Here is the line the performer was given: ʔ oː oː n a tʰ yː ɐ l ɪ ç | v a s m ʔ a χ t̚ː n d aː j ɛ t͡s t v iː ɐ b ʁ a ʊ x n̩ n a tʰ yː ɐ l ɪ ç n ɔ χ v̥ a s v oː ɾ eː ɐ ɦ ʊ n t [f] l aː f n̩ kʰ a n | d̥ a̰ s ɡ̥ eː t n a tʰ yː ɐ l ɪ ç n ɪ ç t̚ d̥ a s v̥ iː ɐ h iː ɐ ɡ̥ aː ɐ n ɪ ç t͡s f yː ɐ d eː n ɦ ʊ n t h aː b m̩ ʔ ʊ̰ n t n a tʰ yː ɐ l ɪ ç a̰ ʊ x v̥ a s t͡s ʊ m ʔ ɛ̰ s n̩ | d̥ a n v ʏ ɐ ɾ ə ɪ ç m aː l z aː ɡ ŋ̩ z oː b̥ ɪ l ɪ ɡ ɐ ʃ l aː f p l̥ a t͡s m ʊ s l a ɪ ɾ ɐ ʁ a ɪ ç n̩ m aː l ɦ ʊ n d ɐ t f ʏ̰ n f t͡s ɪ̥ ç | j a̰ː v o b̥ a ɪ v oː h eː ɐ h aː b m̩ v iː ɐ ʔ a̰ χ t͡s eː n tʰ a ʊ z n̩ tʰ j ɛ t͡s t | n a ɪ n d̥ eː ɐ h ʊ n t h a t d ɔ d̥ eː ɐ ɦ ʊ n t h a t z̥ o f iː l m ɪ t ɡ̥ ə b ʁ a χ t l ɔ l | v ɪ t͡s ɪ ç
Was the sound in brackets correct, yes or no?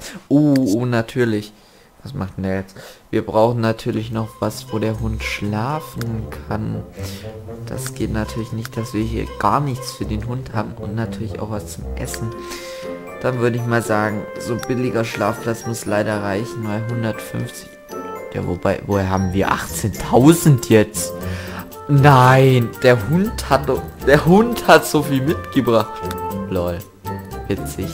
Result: no